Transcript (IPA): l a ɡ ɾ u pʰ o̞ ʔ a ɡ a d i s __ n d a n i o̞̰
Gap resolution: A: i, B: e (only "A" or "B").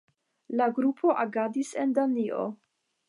B